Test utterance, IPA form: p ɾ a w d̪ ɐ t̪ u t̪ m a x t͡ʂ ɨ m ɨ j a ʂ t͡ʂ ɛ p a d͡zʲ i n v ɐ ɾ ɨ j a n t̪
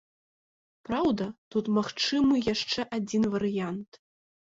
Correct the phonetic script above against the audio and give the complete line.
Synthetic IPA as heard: p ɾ a w d̪ ɐ t̪ u t̪ m a x t͡ʂ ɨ m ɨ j a ʂ t͡ʂ ɛ ʔ a d͡zʲ i n v ɐ ɾ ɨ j a n t̪